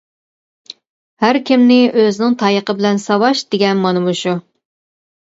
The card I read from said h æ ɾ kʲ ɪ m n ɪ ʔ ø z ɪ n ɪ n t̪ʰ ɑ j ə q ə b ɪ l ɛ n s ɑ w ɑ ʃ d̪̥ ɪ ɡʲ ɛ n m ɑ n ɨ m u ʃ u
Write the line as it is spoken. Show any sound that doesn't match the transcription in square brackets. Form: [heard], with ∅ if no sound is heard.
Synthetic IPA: h æ ɾ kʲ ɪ m n ɪ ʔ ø z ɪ n ɪ [ŋ] t̪ʰ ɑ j ə q ə b ɪ l ɛ n s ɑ w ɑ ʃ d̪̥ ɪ ɡʲ ɛ n m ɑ n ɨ m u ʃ u